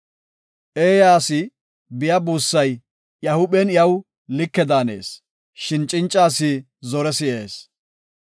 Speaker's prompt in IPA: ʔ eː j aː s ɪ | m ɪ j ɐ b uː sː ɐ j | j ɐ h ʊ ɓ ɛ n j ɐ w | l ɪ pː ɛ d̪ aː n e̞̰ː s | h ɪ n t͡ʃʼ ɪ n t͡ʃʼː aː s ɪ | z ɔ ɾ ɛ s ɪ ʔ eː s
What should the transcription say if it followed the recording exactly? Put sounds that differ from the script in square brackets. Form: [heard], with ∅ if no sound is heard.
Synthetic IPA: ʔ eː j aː s ɪ | [b] ɪ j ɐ b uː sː ɐ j | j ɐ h ʊ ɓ ɛ n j ɐ w | l ɪ [kː] ɛ d̪ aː n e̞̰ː s | [ʃ] ɪ n t͡ʃʼ ɪ n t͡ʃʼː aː s ɪ | z ɔ ɾ ɛ s ɪ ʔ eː s

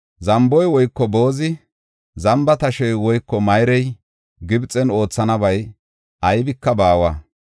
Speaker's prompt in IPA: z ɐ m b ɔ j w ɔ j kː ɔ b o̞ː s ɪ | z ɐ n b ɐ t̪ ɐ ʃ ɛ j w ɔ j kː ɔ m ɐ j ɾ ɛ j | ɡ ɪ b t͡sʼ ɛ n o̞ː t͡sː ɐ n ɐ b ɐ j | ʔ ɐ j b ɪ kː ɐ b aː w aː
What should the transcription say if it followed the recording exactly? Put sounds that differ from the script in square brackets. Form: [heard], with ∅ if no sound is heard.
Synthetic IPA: z ɐ m b ɔ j w ɔ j kː ɔ b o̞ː [z] ɪ | z ɐ [m] b ɐ t̪ ɐ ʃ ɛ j w ɔ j kː ɔ m ɐ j ɾ ɛ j | ɡ ɪ b t͡sʼ ɛ n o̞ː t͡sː ɐ n ɐ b ɐ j | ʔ ɐ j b ɪ kː ɐ b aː w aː

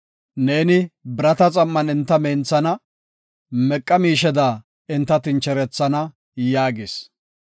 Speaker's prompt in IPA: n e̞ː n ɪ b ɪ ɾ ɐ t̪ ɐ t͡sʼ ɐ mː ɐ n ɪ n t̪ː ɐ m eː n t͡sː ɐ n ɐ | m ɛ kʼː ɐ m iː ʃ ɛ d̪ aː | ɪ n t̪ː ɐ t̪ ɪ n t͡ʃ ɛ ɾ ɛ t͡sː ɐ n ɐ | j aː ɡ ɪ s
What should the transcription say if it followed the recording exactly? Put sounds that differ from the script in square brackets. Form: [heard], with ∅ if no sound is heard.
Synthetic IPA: n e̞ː n ɪ b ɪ ɾ ɐ t̪ ɐ t͡sʼ ɐ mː ɐ n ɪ n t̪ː ɐ m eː n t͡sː ɐ n ɐ | m ɛ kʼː ɐ m iː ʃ ɛ d̪ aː | ɪ n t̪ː ɐ t̪ ɪ n t͡ʃ ɛ ɾ ɛ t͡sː ɐ n ɐ | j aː ɡ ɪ s

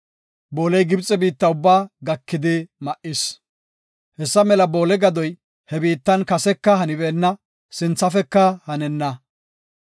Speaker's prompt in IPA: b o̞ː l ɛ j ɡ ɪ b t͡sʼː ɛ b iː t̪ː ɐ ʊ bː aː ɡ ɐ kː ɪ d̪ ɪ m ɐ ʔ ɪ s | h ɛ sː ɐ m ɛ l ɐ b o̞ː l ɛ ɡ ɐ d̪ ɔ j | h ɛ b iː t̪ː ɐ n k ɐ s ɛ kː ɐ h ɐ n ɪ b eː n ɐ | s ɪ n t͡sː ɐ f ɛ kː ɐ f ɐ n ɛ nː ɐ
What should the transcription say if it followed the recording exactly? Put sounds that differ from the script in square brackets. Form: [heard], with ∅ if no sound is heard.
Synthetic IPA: b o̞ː l ɛ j ɡ ɪ b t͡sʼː ɛ b iː t̪ː ɐ ʊ bː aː ɡ ɐ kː ɪ d̪ ɪ m ɐ ʔ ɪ s | h ɛ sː ɐ m ɛ l ɐ b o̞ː l ɛ ɡ ɐ d̪ ɔ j | h ɛ b iː t̪ː ɐ n k ɐ s ɛ kː ɐ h ɐ n ɪ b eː [nː] ɐ | s ɪ n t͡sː ɐ f ɛ kː ɐ [h] ɐ n ɛ nː ɐ

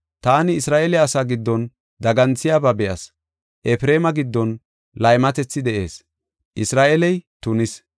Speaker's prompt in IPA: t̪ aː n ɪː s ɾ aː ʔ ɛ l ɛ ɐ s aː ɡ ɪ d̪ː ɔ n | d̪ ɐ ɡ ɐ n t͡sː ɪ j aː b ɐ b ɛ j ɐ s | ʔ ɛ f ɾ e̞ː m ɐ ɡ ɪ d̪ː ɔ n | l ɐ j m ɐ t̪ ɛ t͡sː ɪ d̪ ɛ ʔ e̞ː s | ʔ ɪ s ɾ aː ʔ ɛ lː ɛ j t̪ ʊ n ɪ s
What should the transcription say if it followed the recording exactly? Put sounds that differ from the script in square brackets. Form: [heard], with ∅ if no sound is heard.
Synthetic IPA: t̪ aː n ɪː s ɾ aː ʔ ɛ l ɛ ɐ s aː ɡ ɪ d̪ː ɔ n | d̪ ɐ ɡ ɐ n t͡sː ɪ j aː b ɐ b ɛ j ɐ s | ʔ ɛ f ɾ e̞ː m ɐ ɡ ɪ d̪ː ɔ n | l ɐ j m ɐ t̪ ɛ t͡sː ɪ d̪ ɛ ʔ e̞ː s | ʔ ɪ s ɾ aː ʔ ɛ [l] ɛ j t̪ ʊ n ɪ s

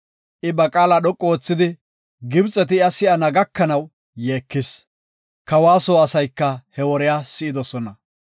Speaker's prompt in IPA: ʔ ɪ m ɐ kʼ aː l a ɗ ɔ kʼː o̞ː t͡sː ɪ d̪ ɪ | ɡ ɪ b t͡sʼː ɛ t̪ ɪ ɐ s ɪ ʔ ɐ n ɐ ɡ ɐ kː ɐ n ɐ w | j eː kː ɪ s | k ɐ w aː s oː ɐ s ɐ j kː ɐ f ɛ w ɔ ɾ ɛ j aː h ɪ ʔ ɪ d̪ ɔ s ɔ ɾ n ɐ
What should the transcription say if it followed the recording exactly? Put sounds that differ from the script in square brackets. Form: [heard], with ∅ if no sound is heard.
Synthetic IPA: ʔ ɪ [b] ɐ kʼ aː l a ɗ ɔ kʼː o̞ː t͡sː ɪ d̪ ɪ | ɡ ɪ b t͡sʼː ɛ t̪ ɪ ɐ s ɪ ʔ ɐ n ɐ ɡ ɐ kː ɐ n ɐ w | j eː kː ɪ s | k ɐ w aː s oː ɐ s ɐ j kː ɐ [h] ɛ w ɔ ɾ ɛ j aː [s] ɪ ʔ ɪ d̪ ɔ s ɔ [∅] n ɐ

